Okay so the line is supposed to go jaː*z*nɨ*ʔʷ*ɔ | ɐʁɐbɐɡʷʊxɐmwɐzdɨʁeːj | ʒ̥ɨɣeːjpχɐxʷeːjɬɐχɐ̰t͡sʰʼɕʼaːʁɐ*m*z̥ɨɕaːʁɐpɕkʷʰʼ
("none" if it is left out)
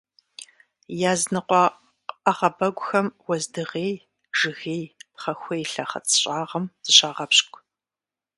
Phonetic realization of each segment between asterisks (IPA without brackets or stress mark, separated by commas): z, qʷ, m